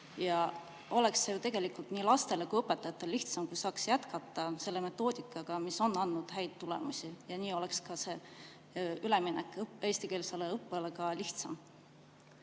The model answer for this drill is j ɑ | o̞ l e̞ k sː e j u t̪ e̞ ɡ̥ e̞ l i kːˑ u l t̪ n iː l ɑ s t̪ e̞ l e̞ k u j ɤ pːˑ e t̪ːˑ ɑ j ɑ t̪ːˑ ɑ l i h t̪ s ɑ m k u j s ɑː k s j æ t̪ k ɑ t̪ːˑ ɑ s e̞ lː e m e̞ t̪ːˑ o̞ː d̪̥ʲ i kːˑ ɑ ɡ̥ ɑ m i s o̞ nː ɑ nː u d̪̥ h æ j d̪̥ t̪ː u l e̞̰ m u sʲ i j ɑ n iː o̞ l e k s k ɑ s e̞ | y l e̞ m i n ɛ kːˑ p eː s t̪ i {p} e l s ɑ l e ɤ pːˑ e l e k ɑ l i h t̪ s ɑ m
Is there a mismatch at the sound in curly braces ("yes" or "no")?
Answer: yes